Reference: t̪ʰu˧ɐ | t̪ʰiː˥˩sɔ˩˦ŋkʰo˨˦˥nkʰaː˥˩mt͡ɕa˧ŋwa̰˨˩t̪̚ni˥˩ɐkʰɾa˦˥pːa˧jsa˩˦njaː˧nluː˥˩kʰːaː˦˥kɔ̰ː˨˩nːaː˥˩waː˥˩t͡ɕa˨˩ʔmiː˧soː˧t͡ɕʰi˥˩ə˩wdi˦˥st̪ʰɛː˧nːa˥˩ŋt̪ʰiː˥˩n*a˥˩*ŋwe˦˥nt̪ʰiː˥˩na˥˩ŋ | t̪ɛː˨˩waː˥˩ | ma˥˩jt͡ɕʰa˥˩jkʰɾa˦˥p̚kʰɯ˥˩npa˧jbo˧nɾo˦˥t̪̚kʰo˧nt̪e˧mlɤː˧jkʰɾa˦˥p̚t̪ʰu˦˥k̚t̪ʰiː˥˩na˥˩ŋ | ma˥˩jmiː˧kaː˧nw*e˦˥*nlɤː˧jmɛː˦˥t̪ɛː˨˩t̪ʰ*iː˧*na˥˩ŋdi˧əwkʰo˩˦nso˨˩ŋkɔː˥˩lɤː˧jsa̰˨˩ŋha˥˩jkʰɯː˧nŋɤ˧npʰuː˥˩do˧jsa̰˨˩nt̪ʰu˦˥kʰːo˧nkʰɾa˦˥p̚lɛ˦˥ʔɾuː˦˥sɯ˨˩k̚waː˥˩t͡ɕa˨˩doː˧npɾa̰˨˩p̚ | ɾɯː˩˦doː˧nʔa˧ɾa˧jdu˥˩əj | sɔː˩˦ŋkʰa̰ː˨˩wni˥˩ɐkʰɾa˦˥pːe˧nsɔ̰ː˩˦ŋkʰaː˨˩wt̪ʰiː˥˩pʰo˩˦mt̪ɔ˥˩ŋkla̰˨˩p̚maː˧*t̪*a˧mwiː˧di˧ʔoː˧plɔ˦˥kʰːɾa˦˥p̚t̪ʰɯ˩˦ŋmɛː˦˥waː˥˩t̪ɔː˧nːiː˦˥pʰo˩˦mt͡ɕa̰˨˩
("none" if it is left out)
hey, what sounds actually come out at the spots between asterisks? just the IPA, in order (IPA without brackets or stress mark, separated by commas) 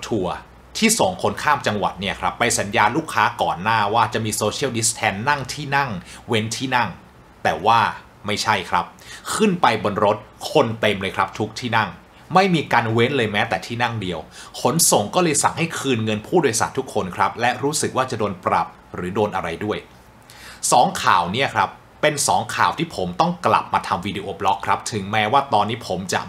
a˥˩, e˦˥, iː˥˩, t̪ʰ